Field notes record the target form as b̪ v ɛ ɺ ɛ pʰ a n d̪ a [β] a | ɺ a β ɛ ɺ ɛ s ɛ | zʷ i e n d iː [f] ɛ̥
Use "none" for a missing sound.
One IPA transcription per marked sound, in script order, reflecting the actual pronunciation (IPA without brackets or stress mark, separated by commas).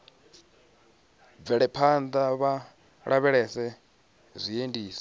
β, s